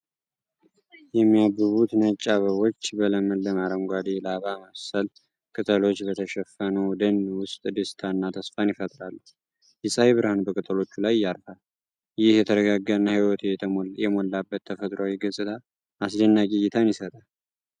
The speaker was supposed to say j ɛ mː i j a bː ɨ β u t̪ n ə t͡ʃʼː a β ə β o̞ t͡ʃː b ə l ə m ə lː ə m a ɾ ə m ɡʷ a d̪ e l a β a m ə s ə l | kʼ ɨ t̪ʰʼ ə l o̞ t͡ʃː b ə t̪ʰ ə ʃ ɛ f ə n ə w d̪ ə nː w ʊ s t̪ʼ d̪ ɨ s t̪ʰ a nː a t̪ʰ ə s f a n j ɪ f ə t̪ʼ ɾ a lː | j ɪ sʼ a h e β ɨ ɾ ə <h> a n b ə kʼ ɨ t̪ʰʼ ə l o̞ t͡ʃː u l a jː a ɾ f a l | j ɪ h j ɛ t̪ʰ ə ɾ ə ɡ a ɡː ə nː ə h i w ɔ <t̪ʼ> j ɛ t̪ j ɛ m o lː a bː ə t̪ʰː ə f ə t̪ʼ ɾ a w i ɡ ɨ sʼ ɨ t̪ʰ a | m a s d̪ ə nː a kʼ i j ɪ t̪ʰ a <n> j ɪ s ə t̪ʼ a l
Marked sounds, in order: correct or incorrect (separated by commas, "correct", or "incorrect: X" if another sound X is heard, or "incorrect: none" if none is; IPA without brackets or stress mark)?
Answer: correct, incorrect: t̪, correct